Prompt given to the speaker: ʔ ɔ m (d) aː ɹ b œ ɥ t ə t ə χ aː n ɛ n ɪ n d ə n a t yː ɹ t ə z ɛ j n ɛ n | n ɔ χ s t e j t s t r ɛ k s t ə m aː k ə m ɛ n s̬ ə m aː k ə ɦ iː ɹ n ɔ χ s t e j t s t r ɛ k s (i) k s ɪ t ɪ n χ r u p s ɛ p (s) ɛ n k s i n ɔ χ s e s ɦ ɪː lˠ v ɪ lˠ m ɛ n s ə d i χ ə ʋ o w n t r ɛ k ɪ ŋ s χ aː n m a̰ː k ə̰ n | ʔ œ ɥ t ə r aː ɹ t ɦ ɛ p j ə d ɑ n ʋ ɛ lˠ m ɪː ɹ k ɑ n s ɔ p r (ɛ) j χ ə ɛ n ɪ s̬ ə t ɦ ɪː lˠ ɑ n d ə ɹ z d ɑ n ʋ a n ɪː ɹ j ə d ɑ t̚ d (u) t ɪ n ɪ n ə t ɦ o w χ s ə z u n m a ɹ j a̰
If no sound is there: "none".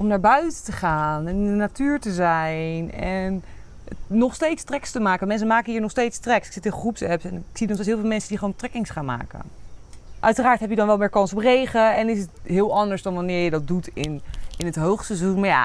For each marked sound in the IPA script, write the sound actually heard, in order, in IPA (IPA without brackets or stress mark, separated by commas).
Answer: n, ɪ, s, e, u